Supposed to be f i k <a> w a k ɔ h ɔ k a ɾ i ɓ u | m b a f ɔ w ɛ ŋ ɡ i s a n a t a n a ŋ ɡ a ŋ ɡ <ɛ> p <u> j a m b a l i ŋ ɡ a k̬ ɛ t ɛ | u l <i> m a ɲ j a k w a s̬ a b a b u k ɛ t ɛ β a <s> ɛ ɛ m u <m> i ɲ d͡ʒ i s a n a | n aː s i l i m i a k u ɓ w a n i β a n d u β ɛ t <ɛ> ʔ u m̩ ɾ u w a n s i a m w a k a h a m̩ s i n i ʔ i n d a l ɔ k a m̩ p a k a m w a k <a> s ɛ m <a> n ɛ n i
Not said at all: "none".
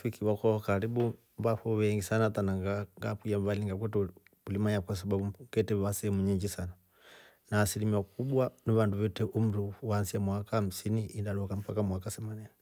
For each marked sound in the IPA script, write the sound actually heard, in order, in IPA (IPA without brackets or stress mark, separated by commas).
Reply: i, a, u, i, s, ɲ, ɛ, a, a